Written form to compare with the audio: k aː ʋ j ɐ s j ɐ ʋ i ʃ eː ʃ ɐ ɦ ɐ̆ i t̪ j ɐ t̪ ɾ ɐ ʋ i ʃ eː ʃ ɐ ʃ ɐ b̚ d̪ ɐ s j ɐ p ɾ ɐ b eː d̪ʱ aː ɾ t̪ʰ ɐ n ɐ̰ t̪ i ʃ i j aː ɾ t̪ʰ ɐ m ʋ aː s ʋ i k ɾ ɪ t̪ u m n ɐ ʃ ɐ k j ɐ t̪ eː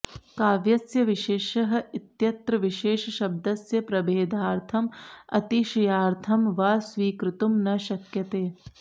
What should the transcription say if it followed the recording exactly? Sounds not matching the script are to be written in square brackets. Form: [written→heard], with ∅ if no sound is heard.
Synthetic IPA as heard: k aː ʋ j ɐ s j ɐ ʋ i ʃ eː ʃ ɐ ɦ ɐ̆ i t̪ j ɐ t̪ ɾ ɐ ʋ i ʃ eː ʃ ɐ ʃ ɐ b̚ d̪ ɐ s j ɐ p ɾ ɐ b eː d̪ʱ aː ɾ t̪ʰ ɐ [n→m] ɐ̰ t̪ i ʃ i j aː ɾ t̪ʰ ɐ m ʋ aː s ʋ [i→iː] k ɾ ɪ t̪ u m n ɐ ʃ ɐ k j ɐ t̪ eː